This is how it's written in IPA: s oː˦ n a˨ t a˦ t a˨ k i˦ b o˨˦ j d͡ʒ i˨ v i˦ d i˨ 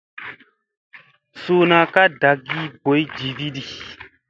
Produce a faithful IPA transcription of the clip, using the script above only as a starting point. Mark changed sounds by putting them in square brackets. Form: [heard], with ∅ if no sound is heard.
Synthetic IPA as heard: s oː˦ n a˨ [k] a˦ [d] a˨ [ɡ] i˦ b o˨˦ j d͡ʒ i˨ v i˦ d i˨